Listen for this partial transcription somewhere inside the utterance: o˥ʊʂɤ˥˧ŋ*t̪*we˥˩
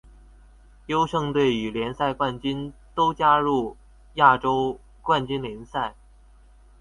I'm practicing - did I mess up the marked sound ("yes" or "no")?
no